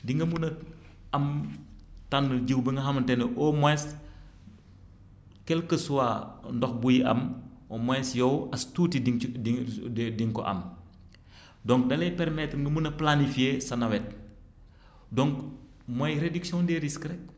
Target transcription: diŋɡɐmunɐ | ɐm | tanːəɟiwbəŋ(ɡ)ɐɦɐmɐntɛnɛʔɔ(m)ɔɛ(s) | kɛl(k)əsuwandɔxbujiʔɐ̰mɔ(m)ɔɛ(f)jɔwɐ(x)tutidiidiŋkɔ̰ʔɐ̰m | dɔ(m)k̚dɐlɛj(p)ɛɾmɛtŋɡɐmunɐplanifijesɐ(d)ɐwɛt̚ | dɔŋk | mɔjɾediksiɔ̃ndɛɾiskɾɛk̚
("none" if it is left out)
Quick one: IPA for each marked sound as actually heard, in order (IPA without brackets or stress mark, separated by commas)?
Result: ɡ, m, s, k, m, s, s, ŋ, p, n